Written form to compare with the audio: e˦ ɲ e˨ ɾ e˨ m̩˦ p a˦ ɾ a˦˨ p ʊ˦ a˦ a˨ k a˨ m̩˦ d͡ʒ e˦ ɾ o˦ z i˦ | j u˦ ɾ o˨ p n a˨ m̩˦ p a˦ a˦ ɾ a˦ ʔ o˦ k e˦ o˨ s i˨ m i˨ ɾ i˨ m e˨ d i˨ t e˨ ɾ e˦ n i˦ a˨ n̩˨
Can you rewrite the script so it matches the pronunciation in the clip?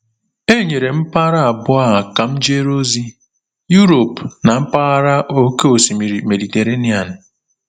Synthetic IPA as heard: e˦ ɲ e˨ ɾ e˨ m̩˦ p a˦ ɾ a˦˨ b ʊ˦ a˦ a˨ k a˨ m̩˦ d͡ʒ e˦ ɾ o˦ z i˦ | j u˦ ɾ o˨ p n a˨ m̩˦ p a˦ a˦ ɾ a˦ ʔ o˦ k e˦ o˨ s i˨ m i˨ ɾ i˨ m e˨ d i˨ t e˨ ɾ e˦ n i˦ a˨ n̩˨